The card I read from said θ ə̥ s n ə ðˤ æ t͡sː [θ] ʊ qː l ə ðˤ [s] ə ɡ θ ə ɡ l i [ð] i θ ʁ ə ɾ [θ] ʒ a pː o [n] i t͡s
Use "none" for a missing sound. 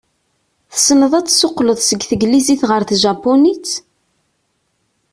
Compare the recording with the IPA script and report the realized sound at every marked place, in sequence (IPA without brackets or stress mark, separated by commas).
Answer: s, s, z, θ, n